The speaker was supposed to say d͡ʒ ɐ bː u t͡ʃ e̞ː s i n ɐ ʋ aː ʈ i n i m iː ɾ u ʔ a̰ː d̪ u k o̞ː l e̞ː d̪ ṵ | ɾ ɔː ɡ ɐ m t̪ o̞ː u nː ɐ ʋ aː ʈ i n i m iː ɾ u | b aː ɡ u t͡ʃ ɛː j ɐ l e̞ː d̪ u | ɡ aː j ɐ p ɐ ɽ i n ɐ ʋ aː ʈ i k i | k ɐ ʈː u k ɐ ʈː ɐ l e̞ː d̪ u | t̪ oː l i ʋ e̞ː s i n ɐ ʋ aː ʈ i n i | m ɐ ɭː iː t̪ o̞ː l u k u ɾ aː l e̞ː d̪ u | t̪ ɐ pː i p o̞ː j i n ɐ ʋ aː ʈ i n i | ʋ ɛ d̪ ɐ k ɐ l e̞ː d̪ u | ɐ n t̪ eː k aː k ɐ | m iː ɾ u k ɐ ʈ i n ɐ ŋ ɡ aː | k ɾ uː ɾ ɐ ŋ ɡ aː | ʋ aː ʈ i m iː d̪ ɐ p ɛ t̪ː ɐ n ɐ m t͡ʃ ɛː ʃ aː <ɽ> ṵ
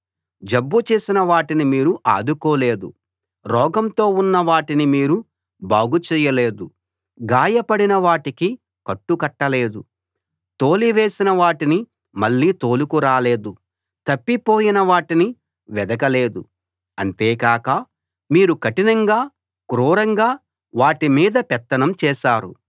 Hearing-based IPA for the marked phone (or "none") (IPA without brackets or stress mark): ɾ